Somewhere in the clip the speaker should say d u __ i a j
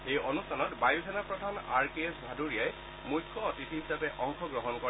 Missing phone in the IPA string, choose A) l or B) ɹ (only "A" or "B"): B